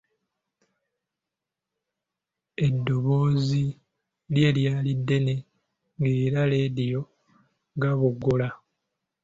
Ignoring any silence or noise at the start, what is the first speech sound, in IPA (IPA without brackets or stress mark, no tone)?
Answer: e̞